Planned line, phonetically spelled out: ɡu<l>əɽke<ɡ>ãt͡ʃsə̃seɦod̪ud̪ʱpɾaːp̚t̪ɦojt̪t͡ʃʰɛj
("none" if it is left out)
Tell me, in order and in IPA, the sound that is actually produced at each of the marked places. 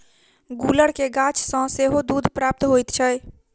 l, ɡ

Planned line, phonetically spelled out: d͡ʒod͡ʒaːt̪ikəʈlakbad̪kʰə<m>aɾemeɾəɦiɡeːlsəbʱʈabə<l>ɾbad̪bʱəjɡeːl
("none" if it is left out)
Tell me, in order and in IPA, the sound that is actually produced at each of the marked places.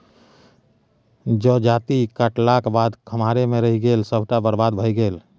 m, none

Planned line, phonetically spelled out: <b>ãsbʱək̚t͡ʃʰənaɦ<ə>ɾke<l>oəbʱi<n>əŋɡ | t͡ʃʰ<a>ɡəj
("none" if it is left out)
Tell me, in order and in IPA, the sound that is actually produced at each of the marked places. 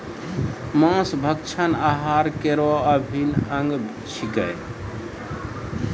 m, a, ɾ, n, i

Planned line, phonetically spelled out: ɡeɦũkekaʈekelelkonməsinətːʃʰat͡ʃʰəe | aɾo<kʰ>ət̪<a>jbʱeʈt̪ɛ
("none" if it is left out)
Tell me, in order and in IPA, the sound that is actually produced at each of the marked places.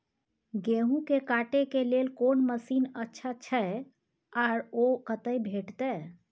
k, ə

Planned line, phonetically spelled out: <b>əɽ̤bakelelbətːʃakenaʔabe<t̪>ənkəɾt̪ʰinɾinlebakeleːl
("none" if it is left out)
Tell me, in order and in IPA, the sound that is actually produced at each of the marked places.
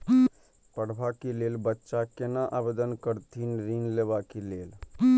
p, d̪

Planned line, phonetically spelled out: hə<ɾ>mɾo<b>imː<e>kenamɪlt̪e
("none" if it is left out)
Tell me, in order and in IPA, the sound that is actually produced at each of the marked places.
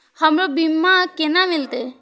none, b, a

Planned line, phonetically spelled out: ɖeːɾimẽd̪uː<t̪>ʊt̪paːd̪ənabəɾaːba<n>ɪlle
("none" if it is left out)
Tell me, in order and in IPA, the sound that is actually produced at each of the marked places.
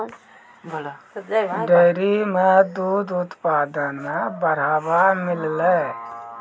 d̪, m

